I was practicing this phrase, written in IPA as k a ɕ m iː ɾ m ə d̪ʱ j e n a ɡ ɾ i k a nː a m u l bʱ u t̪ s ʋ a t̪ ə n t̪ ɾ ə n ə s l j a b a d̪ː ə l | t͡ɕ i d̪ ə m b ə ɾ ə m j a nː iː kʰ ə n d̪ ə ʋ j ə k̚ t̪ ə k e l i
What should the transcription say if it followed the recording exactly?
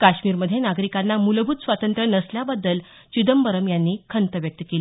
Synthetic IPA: k a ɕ m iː ɾ m ə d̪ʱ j e n a ɡ ɾ i k a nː a m u l bʱ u t̪ s ʋ a t̪ ə n t̪ ɾ ə n ə s l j a b a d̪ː ə l | t͡ɕ i d̪ ə m b ə ɾ ə m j a nː iː kʰ ə n t̪ ə ʋ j ə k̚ t̪ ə k e l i